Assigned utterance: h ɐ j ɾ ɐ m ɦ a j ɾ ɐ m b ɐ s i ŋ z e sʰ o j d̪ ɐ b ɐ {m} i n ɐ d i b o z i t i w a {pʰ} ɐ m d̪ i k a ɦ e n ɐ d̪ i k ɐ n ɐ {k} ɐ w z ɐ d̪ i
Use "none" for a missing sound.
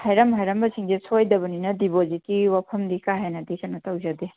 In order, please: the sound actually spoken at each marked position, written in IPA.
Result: n, pʰ, t

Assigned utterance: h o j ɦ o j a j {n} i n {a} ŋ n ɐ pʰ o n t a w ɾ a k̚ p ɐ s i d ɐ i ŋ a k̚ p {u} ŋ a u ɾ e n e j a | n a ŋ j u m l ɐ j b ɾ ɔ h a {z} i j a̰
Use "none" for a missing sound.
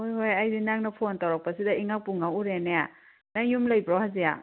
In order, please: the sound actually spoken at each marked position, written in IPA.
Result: d, a, u, z

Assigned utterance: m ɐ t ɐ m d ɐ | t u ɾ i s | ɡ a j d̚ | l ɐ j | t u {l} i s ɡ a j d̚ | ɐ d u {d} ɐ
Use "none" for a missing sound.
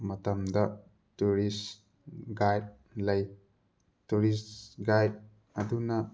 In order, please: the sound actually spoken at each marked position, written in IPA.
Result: ɾ, n

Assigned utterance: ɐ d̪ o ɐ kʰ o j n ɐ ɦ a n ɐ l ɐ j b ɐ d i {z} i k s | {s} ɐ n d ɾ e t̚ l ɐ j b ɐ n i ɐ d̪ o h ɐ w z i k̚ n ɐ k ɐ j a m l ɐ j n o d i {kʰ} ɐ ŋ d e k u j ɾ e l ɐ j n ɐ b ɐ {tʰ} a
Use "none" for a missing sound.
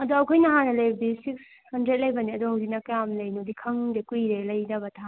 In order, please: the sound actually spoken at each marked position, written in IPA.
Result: s, h, kʰ, tʰ

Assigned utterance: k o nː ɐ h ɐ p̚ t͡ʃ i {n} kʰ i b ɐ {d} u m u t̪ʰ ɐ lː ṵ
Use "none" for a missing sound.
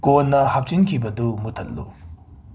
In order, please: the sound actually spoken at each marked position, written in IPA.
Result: n, d

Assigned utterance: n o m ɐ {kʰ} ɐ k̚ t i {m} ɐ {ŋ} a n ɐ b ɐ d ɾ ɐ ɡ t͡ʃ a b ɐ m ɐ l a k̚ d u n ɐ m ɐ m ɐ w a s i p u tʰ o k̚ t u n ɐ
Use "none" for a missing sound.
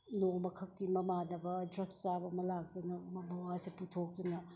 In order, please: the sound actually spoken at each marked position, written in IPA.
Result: kʰ, m, m

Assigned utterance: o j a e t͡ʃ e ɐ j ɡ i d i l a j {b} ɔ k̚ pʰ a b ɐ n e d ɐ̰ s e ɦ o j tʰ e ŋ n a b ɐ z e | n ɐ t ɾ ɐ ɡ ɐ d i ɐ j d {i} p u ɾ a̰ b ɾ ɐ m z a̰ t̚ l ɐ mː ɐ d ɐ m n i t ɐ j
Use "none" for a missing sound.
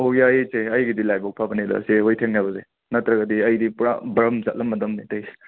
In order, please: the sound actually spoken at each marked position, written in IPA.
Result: b, i

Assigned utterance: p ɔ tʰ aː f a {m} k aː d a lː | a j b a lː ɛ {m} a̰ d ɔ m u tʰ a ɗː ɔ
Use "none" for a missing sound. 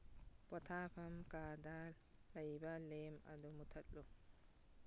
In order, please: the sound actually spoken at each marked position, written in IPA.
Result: m, m

